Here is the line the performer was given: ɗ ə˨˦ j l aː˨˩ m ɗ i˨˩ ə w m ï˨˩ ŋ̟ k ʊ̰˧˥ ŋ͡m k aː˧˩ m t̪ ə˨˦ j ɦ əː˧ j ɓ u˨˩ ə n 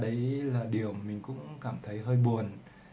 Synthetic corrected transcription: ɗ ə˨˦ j l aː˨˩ ɗ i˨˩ ə w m ï˨˩ ŋ̟ k ʊ̰˧˥ ŋ͡m k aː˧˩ m t̪ʰ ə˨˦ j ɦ əː˧ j ɓ u˨˩ ə n